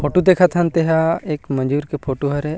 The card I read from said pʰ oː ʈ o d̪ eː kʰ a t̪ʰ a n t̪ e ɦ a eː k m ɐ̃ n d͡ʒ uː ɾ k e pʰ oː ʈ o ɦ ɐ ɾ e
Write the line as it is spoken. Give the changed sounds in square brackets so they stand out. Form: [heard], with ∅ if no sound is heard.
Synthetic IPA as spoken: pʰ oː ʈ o d̪ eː kʰ a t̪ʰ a n t̪ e ɦ a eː k m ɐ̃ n d͡ʒ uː ɾ k e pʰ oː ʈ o ɦ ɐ ɾ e